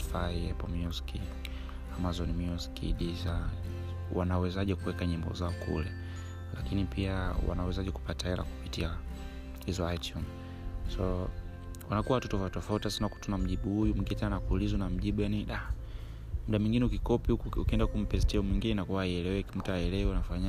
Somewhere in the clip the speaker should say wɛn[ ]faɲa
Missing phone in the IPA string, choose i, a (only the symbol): a